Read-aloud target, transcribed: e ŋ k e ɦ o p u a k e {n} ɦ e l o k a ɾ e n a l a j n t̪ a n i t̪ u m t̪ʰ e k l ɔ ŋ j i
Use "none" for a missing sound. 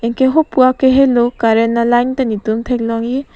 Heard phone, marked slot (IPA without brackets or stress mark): none